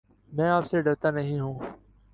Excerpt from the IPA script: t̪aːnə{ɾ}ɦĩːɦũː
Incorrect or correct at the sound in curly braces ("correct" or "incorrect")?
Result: incorrect